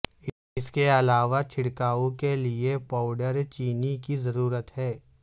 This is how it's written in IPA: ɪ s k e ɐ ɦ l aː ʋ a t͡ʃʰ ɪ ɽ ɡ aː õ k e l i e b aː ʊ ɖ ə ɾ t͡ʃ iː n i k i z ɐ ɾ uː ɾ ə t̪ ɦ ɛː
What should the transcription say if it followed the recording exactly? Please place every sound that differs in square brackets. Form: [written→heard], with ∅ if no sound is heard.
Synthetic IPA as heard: ɪ s k e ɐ [ɦ→∅] l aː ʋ a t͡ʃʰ ɪ ɽ [ɡ→k] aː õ k e l i e [b→p] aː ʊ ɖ ə ɾ t͡ʃ iː n i k i z ɐ ɾ uː ɾ ə t̪ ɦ ɛː